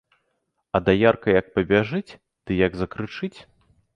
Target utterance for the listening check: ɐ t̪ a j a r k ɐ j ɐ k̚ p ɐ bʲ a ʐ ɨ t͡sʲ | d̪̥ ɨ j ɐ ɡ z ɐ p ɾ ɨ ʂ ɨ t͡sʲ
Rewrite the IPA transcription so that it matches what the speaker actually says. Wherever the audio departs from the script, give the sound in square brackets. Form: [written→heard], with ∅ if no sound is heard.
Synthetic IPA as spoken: ɐ [t̪→d̪] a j a r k ɐ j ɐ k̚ p ɐ bʲ a ʐ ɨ t͡sʲ | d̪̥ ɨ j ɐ ɡ z ɐ [p→k] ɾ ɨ [ʂ→t͡ʂ] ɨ t͡sʲ

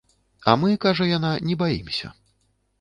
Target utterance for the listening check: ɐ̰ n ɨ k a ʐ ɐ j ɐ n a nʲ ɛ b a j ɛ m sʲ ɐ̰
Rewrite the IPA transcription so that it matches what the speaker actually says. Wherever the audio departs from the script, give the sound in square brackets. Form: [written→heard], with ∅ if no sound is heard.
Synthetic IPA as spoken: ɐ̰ [n→m] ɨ k a ʐ ɐ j [ɐ→a] n a nʲ ɛ b a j [ɛ→i] m sʲ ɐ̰

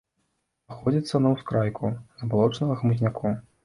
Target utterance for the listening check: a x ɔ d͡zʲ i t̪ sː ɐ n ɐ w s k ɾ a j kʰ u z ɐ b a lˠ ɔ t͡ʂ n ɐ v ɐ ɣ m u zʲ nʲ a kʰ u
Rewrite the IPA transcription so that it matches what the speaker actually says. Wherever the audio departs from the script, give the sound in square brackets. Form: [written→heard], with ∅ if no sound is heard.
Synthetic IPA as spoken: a x ɔ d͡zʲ i t̪ sː ɐ n ɐ w s k ɾ a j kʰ u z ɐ b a lˠ ɔ t͡ʂ n ɐ [v→ɣ] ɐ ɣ m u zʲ nʲ a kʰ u

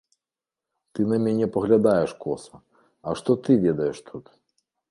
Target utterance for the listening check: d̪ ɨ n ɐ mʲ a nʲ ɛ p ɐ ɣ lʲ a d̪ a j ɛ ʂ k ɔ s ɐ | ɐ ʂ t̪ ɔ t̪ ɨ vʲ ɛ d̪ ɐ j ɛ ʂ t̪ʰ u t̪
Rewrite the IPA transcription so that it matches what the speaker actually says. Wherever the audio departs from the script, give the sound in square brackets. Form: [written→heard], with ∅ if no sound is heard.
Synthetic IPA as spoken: [d̪→t̪] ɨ n ɐ mʲ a nʲ ɛ p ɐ ɣ lʲ a d̪ a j ɛ ʂ k ɔ s ɐ | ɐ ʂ t̪ ɔ t̪ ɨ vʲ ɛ d̪ ɐ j ɛ ʂ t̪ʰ u t̪

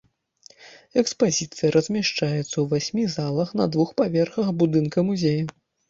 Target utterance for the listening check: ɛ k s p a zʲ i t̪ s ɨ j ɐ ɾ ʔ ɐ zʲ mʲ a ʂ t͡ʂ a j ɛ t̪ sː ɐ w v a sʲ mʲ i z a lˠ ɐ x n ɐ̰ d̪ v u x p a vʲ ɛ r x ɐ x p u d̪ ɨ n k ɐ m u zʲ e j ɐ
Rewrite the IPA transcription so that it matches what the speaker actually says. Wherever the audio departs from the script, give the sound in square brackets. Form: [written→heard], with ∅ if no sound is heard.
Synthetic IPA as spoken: ɛ k s p a zʲ i t̪ s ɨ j ɐ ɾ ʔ ɐ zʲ mʲ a ʂ t͡ʂ a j ɛ t̪ sː ɐ w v a sʲ mʲ i z a lˠ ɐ x n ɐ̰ d̪ v u x p a vʲ ɛ r x ɐ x [p→b] u d̪ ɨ n k ɐ m u zʲ e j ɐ

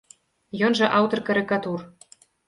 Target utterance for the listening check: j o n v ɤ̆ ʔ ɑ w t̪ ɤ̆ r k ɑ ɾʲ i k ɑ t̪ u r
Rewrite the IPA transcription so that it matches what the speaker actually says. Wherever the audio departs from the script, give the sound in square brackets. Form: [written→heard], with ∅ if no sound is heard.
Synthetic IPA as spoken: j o n [v→ʒ] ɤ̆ ʔ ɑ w t̪ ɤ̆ r k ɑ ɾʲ i k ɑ t̪ u r

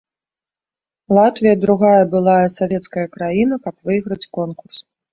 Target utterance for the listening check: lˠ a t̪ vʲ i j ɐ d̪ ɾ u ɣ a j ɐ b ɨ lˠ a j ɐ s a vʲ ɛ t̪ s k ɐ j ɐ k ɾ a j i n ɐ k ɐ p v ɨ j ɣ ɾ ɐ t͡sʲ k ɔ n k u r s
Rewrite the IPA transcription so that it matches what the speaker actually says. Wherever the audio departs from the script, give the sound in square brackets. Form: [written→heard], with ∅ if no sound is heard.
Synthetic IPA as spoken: lˠ a t̪ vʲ i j ɐ d̪ ɾ u ɣ a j ɐ b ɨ lˠ a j ɐ s a vʲ ɛ t̪ s k ɐ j ɐ k ɾ a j i n ɐ k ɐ p v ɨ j ɣ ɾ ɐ t͡sʲ k ɔ n k u r s

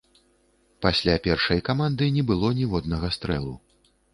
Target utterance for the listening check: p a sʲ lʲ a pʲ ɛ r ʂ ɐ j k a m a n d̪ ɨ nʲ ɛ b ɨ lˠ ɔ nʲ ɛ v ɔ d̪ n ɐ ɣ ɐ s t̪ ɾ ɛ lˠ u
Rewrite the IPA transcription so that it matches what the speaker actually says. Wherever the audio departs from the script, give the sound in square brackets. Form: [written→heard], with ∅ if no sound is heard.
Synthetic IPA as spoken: p a sʲ lʲ a pʲ ɛ r ʂ ɐ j k a m a n d̪ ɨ nʲ ɛ b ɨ lˠ ɔ nʲ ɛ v ɔ d̪ n ɐ ɣ ɐ s t̪ ɾ ɛ lˠ u

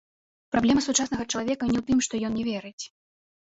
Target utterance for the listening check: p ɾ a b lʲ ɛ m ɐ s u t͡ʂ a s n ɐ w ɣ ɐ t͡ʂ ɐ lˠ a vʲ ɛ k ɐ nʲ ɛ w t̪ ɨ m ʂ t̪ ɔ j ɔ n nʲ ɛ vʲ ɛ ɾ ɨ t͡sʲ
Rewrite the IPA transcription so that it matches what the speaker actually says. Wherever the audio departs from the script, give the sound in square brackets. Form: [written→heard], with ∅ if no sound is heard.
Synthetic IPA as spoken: p ɾ a b lʲ ɛ m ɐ s u t͡ʂ a s n ɐ [w→∅] ɣ ɐ t͡ʂ ɐ lˠ a vʲ ɛ k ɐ nʲ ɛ w t̪ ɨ m ʂ t̪ ɔ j ɔ n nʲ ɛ vʲ ɛ ɾ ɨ t͡sʲ

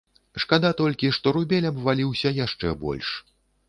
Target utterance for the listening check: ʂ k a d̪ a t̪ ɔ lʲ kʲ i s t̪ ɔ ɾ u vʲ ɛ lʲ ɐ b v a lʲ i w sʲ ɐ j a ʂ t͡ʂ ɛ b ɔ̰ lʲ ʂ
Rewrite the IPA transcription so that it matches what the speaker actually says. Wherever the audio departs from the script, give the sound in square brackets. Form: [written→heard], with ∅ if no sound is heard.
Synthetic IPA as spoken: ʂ k a d̪ a t̪ ɔ lʲ kʲ i [s→ʂ] t̪ ɔ ɾ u [vʲ→bʲ] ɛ lʲ ɐ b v a lʲ i w sʲ ɐ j a ʂ t͡ʂ ɛ b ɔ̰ lʲ ʂ

